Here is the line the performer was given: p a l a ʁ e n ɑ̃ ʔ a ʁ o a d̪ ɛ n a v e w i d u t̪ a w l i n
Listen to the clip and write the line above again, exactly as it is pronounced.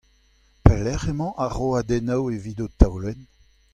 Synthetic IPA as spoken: p ɛ l ɛ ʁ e m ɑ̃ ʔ a ʁ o a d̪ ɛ n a w e v i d o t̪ a w l ɛ n

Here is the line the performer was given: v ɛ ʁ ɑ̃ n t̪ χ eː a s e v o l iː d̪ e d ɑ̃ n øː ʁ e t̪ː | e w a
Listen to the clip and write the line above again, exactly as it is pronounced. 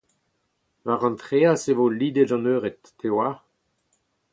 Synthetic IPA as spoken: v a ʁ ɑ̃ n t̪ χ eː a s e v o l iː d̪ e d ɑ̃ n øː ʁ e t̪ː | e w a

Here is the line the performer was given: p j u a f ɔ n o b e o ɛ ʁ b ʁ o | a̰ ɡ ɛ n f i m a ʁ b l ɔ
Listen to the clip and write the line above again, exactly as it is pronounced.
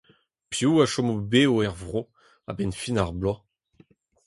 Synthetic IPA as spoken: p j u a ʃ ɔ m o b e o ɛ ʁ v ʁ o | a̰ b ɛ n f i n a ʁ b l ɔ

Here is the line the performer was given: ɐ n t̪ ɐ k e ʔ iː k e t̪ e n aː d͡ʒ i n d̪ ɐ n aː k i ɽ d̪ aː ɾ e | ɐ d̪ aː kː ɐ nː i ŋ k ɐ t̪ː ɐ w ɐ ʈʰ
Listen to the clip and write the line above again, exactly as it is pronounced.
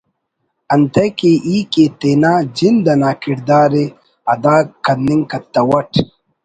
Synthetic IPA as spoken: ɐ n t̪ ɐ k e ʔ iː k e t̪ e n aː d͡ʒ i n d̪ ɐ n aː k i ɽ d̪ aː ɾ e | ɐ d̪ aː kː ɐ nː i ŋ k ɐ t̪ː ɐ w ɐ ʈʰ

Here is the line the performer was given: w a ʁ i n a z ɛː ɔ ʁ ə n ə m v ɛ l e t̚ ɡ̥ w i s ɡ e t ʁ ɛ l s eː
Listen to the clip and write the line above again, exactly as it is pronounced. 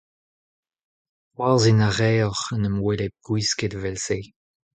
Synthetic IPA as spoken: w a z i n a ʁ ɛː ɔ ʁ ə n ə m w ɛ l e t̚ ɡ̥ w i s k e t v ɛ l s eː

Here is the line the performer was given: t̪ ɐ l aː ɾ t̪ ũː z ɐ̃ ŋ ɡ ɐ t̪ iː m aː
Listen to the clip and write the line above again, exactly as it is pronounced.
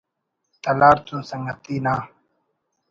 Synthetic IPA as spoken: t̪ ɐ l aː ɾ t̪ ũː s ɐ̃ ŋ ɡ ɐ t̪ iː n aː

